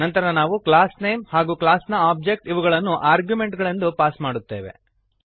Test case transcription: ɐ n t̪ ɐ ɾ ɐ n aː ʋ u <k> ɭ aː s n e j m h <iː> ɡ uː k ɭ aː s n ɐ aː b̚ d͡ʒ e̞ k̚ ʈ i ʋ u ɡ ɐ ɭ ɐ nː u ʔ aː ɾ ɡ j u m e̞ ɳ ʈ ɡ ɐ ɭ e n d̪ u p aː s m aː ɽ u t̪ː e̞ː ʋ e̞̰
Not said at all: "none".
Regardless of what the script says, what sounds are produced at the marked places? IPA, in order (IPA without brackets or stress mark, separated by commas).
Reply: k, aː